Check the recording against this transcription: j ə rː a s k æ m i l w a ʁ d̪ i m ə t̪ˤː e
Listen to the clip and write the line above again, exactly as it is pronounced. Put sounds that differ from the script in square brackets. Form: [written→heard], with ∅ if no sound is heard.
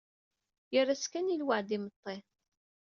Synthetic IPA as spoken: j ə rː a s k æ [m→n] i l w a [ʁ→ʕ] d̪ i m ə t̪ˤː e